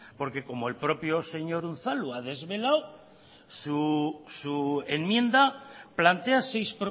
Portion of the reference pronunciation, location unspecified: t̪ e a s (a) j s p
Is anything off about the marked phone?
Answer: yes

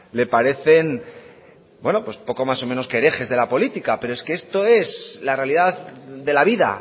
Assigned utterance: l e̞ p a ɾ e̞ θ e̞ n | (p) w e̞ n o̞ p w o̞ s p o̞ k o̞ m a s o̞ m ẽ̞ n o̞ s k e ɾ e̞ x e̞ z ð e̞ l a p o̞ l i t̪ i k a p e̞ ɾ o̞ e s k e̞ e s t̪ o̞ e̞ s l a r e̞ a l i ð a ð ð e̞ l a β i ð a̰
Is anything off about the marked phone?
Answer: yes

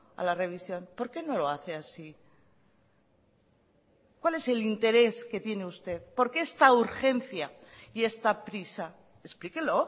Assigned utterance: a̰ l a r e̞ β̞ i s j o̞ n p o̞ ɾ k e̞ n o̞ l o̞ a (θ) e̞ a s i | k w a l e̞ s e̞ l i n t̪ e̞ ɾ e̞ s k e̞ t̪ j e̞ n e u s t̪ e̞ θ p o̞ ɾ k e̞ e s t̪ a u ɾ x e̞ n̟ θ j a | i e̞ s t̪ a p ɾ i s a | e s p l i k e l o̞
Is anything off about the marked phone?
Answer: no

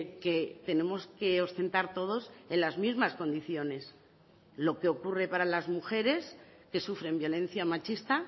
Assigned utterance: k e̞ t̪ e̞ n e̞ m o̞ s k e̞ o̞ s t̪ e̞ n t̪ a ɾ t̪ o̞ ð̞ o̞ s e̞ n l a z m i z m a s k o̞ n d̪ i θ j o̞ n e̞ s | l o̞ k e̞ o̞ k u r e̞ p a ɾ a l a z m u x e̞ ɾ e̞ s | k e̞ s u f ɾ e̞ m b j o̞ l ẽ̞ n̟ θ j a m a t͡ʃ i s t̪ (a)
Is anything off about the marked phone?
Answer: no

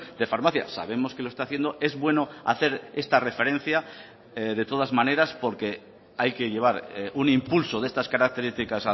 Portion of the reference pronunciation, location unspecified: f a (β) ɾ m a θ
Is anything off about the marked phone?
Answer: yes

